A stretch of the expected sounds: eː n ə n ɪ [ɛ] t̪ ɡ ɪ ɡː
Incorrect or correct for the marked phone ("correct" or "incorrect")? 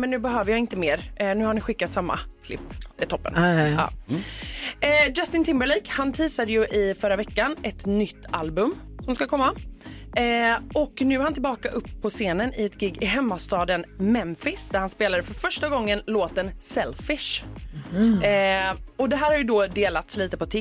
correct